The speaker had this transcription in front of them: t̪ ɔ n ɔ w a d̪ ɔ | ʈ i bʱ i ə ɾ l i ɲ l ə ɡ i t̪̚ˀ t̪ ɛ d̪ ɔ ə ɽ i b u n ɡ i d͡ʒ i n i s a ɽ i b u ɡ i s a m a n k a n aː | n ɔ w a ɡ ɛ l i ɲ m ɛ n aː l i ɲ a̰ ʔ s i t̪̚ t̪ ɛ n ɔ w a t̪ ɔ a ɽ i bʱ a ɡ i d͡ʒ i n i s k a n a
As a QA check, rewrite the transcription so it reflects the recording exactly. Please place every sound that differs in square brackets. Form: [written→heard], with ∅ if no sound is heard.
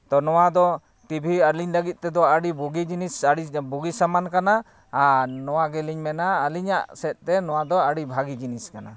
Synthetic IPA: t̪ ɔ n ɔ w a d̪ ɔ | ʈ i bʱ i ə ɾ l i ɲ l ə ɡ i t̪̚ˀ t̪ ɛ d̪ ɔ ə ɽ i b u [n→∅] ɡ i d͡ʒ i n i s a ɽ i b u ɡ i s a m a n k a n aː | n ɔ w a ɡ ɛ l i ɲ m ɛ n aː l i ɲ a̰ ʔ s [i→ɛ] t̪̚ t̪ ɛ n ɔ w a [t̪→d̪] ɔ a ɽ i bʱ a ɡ i d͡ʒ i n i s k a n a